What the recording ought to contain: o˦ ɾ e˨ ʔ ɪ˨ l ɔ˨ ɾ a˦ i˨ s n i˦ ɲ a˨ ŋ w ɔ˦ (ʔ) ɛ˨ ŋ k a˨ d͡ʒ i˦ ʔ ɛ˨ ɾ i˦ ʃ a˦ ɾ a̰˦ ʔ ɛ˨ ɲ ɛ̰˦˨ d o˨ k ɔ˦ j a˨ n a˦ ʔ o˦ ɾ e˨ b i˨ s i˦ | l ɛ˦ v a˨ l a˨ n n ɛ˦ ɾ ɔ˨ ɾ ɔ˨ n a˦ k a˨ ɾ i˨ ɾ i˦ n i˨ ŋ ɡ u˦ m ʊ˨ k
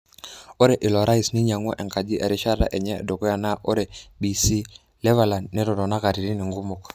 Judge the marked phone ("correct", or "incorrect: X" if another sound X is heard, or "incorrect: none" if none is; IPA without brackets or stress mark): correct